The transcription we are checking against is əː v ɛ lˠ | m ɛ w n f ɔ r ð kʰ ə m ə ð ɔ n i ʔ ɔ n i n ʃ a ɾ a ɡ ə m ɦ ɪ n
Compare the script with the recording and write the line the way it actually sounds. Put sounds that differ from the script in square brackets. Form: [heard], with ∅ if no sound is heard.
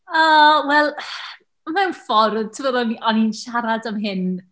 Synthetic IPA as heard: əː [w] ɛ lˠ | m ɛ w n f ɔ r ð [tʰ] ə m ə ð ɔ n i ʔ ɔ n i n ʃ a ɾ a [d] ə m ɦ ɪ n